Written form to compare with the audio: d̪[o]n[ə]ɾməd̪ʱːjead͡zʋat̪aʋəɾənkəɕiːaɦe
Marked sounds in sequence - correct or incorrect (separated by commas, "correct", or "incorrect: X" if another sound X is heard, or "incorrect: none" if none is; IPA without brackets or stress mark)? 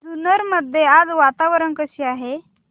incorrect: u, correct